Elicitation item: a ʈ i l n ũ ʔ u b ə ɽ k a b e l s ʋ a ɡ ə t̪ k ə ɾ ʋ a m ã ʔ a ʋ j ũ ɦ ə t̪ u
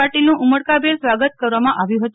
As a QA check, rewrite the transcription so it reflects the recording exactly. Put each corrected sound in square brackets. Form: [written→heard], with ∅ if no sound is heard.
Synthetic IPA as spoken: a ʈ i l n ũ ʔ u [b→m] ə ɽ k a b e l s ʋ a ɡ ə t̪ k ə ɾ ʋ a m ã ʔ a ʋ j ũ ɦ ə t̪ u